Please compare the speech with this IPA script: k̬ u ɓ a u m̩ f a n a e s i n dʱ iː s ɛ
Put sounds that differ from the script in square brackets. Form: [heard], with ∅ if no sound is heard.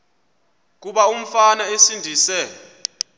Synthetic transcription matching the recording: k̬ u ɓ a u m̩ f a n a e s i n dʱ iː s ɛ